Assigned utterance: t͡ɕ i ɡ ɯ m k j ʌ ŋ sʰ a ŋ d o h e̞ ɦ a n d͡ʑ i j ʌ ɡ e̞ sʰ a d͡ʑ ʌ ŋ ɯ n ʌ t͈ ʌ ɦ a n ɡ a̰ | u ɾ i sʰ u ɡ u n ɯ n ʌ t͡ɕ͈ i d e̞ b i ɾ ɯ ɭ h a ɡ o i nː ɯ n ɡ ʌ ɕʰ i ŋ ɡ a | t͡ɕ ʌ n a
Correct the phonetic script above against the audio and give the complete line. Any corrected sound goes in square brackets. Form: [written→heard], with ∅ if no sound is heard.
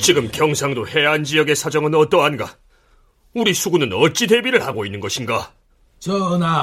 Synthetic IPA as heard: t͡ɕ i ɡ ɯ m k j ʌ ŋ sʰ a ŋ d o h e̞ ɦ a n d͡ʑ i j ʌ ɡ e̞ sʰ a d͡ʑ ʌ ŋ ɯ n ʌ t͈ ʌ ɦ a n ɡ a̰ | u ɾ i sʰ u ɡ u n ɯ n ʌ t͡ɕ͈ i d e̞ b i ɾ ɯ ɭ h a ɡ o i nː ɯ n ɡ ʌ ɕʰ i [ŋ→n] ɡ a | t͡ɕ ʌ n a